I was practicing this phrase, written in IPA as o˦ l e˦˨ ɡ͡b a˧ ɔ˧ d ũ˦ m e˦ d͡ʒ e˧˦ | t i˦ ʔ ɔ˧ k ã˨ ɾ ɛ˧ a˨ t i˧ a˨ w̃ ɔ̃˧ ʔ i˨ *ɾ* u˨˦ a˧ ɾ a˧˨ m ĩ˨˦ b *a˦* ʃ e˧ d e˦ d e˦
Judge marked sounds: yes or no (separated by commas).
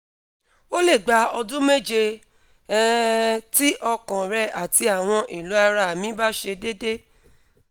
no, yes